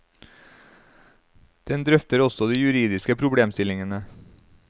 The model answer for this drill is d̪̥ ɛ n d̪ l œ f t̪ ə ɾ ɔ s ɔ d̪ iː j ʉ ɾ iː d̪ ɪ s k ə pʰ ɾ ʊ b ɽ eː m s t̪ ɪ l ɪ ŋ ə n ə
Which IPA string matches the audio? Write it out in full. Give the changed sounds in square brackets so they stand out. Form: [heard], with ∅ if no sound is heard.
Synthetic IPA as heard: d̪̥ ɛ n d̪ [ɾ] œ f t̪ ə ɾ ɔ s ɔ d̪ iː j ʉ ɾ iː d̪ ɪ s k ə pʰ ɾ ʊ b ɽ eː m s t̪ ɪ l ɪ ŋ ə n ə